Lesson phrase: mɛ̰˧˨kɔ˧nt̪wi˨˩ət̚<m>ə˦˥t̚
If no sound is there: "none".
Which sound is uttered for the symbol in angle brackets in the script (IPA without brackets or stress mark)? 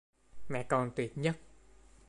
ɲ